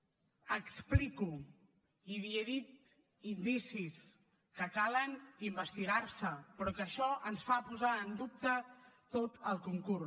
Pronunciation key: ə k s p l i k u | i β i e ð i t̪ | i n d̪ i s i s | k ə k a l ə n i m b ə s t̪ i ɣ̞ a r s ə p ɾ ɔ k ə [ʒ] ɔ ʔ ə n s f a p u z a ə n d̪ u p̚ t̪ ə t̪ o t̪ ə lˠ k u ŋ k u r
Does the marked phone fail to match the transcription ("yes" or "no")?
yes